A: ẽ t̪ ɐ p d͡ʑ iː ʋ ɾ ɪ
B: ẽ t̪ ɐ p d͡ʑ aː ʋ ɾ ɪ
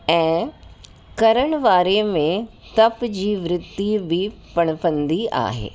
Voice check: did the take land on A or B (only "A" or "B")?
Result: A